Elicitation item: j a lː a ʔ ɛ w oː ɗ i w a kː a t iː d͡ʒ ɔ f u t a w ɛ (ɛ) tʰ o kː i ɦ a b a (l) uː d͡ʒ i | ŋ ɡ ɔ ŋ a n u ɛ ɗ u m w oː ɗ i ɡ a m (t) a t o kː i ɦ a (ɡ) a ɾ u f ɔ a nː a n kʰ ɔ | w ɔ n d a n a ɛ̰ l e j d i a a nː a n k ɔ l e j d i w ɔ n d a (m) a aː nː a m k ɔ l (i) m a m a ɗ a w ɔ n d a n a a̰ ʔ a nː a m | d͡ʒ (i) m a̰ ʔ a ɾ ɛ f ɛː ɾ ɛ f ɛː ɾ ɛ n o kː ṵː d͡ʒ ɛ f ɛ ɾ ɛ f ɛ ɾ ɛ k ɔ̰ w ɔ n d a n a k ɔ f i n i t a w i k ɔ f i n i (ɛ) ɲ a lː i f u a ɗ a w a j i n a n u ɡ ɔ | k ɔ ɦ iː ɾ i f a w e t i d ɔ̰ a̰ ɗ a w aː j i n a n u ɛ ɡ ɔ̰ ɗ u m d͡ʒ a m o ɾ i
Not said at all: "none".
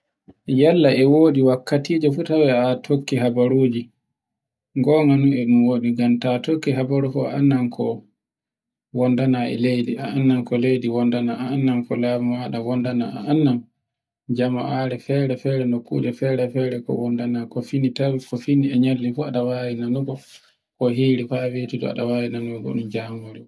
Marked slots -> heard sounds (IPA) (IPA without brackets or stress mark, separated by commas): a, ɾ, t, b, n, a, a, ɛ